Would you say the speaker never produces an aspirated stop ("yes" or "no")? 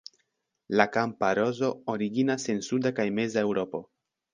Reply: yes